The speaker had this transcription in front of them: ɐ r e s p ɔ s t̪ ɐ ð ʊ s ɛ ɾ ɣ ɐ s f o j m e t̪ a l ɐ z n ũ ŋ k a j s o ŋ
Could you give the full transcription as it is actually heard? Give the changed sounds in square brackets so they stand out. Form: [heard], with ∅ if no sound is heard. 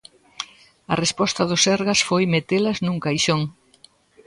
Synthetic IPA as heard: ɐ r e s p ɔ s t̪ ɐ ð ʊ s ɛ ɾ ɣ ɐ s f o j m e t̪ [e] l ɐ z n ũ ŋ k a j [ʃ] o ŋ